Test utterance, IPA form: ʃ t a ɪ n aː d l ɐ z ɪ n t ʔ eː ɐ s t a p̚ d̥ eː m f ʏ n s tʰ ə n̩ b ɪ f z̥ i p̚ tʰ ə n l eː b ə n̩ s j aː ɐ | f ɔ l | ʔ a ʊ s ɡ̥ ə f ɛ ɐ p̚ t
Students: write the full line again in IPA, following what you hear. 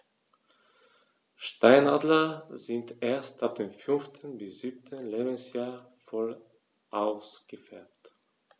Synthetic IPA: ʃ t a ɪ n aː d l ɐ z ɪ n t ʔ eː ɐ s t a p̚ d̥ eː m f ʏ n f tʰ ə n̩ b ɪ s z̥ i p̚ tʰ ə n l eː b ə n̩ s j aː ɐ | f ɔ l | ʔ a ʊ s ɡ̥ ə f ɛ ɐ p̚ t

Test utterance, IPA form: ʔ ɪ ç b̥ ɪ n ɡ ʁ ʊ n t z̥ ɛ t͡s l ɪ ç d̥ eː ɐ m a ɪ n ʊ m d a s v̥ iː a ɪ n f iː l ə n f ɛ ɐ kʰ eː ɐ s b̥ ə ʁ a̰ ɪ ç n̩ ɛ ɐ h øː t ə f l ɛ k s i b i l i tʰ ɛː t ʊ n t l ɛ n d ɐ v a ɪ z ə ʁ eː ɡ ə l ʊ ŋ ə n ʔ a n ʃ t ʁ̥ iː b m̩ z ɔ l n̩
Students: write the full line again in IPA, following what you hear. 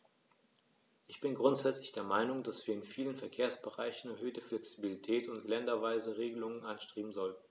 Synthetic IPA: ʔ ɪ ç b̥ ɪ n ɡ ʁ ʊ n t z̥ ɛ t͡s l ɪ ç d̥ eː ɐ m a ɪ n ʊ ŋ d a s v̥ iː ɐ ɪ n f iː l ə n f ɛ ɐ kʰ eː ɐ s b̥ ə ʁ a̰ ɪ ç n̩ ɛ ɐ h øː t ə f l ɛ k s i b i l i tʰ ɛː t ʊ n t l ɛ n d ɐ v a ɪ z ə ʁ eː ɡ ə l ʊ ŋ ə n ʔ a n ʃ t ʁ̥ iː b m̩ z ɔ l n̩

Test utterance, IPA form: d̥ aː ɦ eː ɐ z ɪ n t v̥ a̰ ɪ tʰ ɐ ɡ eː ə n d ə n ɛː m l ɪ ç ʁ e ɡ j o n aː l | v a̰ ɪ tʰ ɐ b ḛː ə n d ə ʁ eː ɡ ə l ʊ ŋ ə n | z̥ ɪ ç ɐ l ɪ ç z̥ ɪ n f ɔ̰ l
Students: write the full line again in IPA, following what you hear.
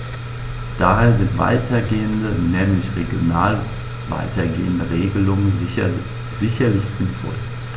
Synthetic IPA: d̥ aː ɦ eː ɐ z ɪ n t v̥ a̰ ɪ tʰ ɐ ɡ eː ə n d ə n ɛː m l ɪ ç ʁ e ɡ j o n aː l | v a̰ ɪ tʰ ɐ ɡ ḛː ə n d ə ʁ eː ɡ ə l ʊ ŋ ə n | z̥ ɪ ç ɐ l ɪ ç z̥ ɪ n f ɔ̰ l

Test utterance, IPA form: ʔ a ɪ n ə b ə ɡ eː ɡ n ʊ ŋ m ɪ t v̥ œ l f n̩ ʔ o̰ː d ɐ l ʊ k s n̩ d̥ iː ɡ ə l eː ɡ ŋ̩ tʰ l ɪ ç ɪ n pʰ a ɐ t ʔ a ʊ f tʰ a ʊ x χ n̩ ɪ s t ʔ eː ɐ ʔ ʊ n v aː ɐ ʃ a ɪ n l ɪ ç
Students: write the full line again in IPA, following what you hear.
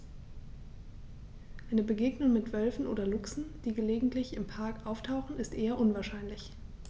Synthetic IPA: ʔ a ɪ n ə b ə ɡ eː ɡ n ʊ ŋ m ɪ t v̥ œ l f n̩ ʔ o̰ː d ɐ l ʊ k s n̩ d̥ iː ɡ ə l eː ɡ ŋ̩ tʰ l ɪ ç ɪ m pʰ a ɐ k ʔ a ʊ f tʰ a ʊ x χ n̩ ɪ s t ʔ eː ɐ ʔ ʊ n v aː ɐ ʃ a ɪ n l ɪ ç

